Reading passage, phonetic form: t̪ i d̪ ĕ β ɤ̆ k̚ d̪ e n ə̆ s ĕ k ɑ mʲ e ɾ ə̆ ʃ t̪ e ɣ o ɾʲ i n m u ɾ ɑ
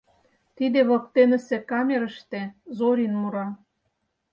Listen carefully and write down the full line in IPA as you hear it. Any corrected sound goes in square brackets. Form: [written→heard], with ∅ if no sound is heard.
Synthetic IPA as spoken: t̪ i d̪ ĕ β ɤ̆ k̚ [d̪→t̪] e n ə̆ s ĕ k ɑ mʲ e ɾ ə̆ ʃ t̪ e [ɣ→z] o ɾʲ i n m u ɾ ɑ